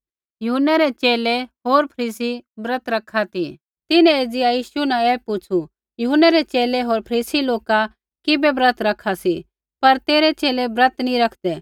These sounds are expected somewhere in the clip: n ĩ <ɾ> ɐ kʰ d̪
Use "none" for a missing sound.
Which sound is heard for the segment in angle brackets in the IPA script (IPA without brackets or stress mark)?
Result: ɾ